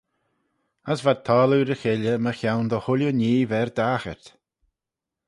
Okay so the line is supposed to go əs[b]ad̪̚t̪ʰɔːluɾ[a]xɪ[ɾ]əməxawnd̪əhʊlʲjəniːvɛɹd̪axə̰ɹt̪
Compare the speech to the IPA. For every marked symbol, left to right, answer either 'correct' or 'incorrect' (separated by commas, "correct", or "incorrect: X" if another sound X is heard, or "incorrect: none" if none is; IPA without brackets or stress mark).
incorrect: v, incorrect: ə, incorrect: l